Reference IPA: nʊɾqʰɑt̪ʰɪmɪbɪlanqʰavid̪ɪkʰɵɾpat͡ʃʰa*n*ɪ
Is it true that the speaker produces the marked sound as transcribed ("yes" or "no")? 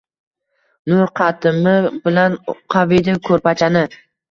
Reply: yes